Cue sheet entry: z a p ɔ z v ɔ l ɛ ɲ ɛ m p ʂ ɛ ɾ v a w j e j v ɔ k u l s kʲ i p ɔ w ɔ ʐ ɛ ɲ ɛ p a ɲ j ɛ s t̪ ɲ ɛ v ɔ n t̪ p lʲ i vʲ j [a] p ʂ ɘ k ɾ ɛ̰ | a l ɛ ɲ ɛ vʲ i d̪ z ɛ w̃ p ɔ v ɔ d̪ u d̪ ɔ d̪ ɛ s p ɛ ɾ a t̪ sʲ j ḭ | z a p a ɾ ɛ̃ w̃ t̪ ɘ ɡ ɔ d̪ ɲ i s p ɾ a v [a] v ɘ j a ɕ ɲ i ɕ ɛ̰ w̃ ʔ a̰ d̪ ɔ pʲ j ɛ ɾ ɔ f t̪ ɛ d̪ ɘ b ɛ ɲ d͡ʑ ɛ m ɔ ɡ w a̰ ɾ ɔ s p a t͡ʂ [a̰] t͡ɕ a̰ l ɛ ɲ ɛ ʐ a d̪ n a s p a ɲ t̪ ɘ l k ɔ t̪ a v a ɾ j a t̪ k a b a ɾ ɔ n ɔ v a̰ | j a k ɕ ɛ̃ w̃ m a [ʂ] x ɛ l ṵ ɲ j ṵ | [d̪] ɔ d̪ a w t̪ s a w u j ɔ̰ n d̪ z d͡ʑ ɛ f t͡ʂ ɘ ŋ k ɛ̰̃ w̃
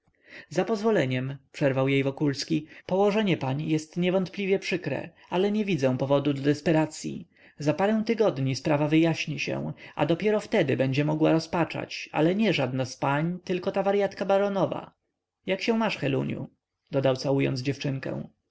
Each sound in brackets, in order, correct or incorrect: incorrect: ɛ, correct, correct, correct, correct

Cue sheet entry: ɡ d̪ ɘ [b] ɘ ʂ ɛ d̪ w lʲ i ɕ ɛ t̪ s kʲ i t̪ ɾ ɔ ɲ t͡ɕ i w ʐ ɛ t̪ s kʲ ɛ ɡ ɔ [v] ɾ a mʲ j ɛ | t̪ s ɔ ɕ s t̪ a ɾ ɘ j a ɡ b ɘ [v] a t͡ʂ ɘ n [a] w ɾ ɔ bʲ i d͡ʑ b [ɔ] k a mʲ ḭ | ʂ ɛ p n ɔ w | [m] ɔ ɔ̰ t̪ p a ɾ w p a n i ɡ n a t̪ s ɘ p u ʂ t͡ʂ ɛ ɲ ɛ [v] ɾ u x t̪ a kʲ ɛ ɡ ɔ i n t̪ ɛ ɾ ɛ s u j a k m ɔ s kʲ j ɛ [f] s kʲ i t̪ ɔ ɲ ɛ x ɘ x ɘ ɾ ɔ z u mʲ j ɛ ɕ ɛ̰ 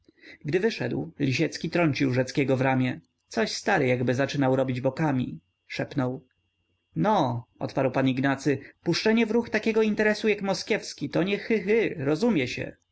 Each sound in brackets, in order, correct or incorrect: incorrect: v, correct, incorrect: z, correct, correct, incorrect: n, correct, correct

